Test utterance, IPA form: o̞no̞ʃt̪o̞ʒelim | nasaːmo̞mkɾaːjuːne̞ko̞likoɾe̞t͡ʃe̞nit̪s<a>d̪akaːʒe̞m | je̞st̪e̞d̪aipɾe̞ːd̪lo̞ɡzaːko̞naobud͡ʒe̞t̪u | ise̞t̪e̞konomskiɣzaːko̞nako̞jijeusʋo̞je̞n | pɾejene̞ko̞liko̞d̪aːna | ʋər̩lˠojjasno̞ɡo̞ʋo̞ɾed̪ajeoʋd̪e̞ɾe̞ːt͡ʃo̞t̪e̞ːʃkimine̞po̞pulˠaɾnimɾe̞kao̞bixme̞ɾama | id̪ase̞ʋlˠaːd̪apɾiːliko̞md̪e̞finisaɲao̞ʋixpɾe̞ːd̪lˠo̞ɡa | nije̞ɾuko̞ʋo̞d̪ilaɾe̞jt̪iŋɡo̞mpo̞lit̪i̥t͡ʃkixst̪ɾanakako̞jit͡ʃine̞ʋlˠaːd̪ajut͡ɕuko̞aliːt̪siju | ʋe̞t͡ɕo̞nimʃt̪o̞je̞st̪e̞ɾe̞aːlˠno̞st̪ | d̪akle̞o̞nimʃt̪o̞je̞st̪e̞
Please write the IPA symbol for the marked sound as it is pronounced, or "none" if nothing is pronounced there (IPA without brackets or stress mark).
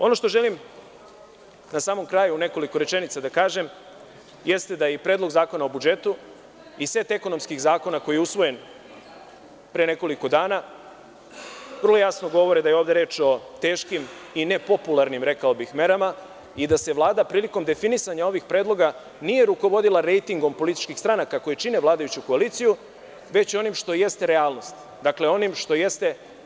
a